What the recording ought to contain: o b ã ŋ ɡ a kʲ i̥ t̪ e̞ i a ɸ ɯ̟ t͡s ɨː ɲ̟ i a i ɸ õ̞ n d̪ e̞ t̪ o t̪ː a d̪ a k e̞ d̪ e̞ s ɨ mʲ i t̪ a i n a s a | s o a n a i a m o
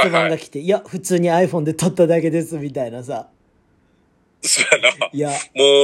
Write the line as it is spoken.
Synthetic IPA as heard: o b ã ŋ ɡ a kʲ i̥ t̪ e̞ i a ɸ ɯ̟ t͡s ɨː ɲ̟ i a i ɸ õ̞ n d̪ e̞ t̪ o t̪ː a d̪ a k e̞ d̪ e̞ s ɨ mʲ i t̪ a i n a s a | s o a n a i a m o